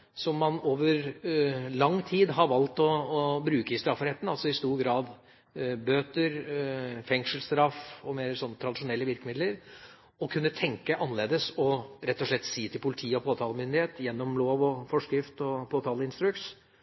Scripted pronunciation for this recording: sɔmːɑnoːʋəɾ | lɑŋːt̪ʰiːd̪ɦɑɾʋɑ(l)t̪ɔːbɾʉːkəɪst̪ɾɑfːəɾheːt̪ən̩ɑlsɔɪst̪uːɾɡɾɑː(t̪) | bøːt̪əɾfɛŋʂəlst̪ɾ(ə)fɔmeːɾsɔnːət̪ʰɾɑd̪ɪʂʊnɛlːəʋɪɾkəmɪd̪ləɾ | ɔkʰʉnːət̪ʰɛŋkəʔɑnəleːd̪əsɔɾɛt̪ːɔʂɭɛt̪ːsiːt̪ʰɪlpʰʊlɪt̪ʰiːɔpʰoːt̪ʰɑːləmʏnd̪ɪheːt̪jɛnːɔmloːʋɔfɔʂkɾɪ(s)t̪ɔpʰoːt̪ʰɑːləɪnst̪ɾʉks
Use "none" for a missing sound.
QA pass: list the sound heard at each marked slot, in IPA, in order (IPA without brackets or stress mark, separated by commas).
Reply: l, d̪, ɑ, f